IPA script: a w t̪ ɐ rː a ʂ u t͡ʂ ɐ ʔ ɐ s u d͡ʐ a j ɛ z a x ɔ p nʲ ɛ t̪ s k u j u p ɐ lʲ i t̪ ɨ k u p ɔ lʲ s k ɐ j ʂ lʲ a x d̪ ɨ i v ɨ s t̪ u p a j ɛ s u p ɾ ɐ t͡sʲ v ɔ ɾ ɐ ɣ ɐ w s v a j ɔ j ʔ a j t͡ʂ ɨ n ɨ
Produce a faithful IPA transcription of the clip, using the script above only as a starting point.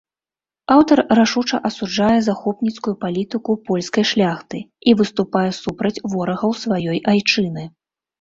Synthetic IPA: a w t̪ ɐ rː a ʂ u t͡ʂ ɐ ʔ ɐ s u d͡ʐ a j ɛ z a x ɔ p nʲ i t̪ s k u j u p a lʲ i t̪ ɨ k u p ɔ lʲ s k ɐ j ʂ lʲ a x t̪ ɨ i v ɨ s t̪ u p a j ɛ s u p ɾ ɐ t͡sʲ v ɔ ɾ ɐ ɣ ɐ w s v a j ɔ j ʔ a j t͡ʂ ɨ n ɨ